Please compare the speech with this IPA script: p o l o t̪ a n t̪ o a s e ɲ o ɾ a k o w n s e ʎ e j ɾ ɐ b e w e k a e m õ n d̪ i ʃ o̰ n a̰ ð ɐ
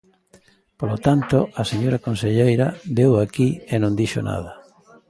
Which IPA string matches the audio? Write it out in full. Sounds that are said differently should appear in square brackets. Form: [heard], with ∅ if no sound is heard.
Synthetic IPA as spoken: p o l o t̪ a n t̪ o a s e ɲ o ɾ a k o [∅] n s e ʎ e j ɾ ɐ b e w [a] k [i] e [n] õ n d̪ i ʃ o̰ n a̰ ð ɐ